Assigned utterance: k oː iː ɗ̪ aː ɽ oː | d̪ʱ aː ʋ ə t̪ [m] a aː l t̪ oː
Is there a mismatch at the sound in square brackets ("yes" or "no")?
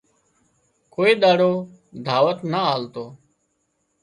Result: yes